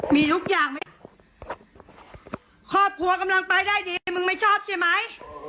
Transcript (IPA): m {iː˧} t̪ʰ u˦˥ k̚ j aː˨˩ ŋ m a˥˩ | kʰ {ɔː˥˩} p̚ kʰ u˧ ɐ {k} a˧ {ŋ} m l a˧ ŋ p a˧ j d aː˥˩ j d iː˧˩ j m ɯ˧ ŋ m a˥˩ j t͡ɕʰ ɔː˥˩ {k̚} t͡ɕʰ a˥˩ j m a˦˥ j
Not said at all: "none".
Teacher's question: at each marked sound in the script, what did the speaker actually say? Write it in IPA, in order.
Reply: iː˧, ɔː˥˩, k, none, p̚

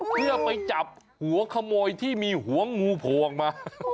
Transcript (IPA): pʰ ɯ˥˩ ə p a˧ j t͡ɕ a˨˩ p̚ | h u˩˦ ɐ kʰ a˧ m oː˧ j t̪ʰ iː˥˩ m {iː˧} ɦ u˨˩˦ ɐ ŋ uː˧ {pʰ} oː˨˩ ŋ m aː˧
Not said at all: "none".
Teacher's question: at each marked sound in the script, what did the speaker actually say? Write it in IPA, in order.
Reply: iː˧, pʰ

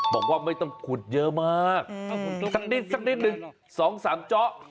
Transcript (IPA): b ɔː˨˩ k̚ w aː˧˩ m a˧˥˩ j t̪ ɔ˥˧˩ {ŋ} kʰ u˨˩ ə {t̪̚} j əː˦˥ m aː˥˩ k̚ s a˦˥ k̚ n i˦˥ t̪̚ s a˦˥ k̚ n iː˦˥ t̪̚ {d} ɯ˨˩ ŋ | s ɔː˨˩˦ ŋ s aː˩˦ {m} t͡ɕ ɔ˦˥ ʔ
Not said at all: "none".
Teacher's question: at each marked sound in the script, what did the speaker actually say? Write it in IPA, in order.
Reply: ŋ, t̪̚, n, m

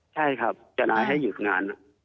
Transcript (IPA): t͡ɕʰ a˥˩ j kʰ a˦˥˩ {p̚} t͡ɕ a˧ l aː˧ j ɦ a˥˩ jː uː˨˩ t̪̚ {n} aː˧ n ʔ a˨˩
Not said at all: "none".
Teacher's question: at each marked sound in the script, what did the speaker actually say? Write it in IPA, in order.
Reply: p̚, ŋ

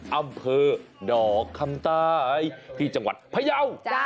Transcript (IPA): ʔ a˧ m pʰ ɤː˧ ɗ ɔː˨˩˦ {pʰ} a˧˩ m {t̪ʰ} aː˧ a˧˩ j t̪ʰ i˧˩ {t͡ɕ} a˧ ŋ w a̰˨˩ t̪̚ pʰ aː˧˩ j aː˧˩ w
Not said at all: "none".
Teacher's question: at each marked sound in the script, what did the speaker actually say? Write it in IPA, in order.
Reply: kʰ, t̪, t͡ɕ

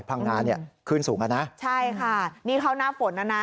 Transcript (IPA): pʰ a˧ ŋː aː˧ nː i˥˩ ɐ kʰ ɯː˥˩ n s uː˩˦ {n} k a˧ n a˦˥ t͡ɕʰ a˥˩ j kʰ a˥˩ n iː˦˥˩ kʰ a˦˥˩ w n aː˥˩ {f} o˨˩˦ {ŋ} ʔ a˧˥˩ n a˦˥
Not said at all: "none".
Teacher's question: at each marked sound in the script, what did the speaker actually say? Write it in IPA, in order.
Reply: ŋ, f, n

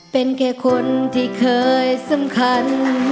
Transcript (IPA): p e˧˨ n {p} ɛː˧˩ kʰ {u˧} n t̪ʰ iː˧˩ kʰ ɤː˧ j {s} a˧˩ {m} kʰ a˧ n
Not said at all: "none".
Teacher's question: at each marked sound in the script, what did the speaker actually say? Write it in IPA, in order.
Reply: k, o˧, s, m

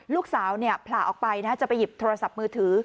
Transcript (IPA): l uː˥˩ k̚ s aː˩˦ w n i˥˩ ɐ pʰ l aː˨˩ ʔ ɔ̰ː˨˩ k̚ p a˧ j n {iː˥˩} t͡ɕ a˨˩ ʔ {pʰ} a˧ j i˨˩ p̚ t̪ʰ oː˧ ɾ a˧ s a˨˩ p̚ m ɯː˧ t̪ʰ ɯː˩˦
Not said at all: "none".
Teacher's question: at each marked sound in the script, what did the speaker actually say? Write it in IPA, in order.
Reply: aː˥˩, p

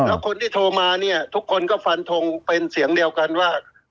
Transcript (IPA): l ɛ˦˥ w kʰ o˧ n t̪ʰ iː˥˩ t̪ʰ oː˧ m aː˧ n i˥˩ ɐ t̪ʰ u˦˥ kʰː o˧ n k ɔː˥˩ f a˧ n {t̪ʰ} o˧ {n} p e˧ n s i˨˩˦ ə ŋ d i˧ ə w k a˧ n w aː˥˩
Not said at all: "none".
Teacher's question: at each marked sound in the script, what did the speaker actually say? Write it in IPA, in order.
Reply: t̪ʰ, ŋ

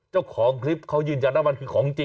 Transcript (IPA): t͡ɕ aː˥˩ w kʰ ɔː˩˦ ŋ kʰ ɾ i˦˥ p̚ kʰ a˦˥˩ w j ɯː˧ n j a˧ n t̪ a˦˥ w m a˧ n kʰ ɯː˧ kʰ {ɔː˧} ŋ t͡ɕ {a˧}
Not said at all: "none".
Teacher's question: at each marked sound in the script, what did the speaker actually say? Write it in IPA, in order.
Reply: ɔː˩˦, i˧

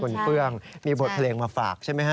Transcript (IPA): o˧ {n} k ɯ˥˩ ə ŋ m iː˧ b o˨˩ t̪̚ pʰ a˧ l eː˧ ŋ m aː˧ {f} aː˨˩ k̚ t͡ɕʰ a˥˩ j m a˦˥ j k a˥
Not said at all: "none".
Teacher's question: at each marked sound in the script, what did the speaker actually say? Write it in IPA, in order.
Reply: n, f

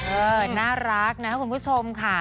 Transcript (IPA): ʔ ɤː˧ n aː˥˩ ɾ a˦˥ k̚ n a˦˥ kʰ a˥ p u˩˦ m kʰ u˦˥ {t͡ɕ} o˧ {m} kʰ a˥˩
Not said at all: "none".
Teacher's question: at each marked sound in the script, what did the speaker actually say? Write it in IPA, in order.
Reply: t͡ɕʰ, m

